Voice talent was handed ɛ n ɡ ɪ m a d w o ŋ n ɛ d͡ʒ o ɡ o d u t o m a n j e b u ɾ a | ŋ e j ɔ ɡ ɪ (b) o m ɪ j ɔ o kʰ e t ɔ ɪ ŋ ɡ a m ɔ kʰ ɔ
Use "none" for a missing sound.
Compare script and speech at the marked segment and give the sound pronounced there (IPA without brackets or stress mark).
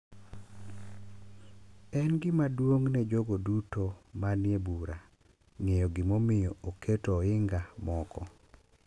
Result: m